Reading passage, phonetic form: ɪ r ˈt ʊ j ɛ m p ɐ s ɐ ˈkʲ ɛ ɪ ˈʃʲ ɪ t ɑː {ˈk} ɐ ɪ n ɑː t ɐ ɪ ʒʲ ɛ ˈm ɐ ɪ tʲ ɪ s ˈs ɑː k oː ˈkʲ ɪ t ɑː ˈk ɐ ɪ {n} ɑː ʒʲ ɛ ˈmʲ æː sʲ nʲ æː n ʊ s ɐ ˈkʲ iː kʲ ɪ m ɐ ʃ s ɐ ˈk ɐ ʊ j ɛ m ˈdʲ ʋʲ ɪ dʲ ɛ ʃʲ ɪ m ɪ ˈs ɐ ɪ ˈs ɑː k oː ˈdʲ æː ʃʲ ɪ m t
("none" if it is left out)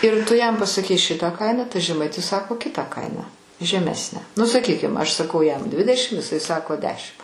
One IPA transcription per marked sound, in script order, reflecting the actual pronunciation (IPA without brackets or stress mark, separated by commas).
k, n